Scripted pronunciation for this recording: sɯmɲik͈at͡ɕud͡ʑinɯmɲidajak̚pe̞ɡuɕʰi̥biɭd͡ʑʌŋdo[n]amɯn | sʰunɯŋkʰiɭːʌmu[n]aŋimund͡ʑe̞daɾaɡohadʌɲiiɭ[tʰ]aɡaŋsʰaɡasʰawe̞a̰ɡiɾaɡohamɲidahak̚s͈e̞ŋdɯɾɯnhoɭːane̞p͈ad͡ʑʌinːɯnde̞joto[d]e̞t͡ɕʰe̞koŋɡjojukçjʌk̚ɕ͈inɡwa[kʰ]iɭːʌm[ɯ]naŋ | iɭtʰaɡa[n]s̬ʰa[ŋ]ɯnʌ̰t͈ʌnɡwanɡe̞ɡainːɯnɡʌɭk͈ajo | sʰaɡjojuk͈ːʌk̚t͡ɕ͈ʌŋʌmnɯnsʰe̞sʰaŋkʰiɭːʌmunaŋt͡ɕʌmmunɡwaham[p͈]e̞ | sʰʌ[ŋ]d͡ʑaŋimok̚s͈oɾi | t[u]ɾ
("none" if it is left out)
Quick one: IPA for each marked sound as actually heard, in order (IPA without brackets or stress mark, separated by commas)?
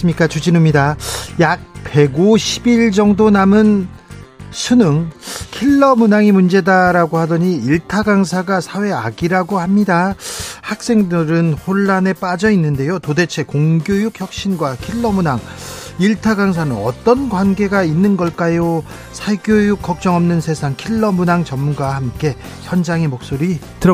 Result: n, n, tʰ, d, kʰ, u, ŋ, n, k͈, n, ɯ